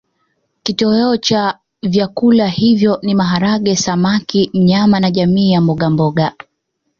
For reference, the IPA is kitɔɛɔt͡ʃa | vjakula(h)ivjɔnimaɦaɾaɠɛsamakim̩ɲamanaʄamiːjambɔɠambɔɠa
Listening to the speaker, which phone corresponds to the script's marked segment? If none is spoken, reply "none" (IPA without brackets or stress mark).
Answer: h